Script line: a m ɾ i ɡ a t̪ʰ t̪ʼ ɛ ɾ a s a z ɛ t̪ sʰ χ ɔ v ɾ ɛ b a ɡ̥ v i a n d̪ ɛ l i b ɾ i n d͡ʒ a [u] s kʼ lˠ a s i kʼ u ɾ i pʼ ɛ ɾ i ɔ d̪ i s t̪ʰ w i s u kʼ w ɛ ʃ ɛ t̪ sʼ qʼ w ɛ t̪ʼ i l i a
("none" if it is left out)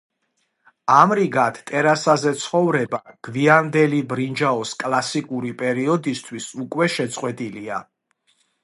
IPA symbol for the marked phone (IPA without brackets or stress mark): ɔ